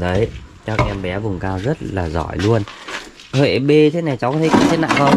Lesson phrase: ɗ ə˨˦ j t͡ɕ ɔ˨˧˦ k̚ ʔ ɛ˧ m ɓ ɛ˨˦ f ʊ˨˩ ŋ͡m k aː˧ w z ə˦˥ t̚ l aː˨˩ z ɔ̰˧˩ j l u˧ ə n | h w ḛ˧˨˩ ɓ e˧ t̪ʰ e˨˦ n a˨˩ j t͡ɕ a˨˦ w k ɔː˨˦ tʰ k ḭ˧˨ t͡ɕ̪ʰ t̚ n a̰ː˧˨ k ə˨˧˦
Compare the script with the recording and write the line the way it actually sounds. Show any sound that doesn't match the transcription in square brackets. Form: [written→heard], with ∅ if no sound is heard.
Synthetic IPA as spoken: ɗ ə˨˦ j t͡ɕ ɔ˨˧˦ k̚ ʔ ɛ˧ m ɓ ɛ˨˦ [f→v] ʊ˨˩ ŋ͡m k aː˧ w z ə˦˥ t̚ l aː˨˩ z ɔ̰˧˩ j l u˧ ə n | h w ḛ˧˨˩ ɓ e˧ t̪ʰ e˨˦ n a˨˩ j t͡ɕ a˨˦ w k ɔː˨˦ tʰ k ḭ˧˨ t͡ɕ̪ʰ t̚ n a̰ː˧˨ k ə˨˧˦

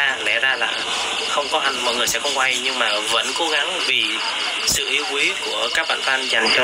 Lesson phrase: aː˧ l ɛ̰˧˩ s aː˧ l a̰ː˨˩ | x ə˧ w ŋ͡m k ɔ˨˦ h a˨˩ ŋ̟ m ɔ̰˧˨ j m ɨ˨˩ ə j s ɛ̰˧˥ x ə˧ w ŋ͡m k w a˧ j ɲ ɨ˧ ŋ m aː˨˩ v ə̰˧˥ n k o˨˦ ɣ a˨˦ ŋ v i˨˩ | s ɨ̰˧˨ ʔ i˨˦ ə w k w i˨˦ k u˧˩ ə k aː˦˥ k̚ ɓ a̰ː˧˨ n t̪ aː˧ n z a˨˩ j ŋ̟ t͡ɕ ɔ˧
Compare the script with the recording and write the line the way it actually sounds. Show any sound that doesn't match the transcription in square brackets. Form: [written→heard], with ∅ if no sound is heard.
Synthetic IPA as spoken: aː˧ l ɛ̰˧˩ [s→z] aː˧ l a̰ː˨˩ | x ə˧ w ŋ͡m k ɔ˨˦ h a˨˩ ŋ̟ m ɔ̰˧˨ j [m→ŋ] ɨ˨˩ ə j s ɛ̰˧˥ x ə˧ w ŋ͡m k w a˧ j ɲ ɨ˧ ŋ m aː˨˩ v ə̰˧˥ n k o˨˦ ɣ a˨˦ ŋ v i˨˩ | s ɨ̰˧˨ ʔ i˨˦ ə w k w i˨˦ k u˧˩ ə k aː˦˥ k̚ ɓ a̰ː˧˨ n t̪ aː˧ n z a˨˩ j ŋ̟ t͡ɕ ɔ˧

